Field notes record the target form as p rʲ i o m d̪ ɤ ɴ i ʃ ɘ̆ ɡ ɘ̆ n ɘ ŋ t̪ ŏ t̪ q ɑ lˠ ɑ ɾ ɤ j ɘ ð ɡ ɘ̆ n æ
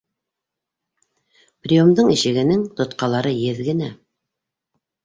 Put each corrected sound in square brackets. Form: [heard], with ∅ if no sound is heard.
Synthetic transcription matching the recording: p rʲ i o m d̪ ɤ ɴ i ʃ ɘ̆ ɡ ɘ̆ n ɘ ŋ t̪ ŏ t̪ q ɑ lˠ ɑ ɾ ɤ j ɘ ð ɡ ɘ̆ n æ